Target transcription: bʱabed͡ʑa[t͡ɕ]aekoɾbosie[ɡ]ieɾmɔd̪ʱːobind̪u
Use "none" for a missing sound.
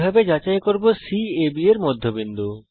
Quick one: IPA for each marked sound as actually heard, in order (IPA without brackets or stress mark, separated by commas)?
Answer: t͡ɕ, b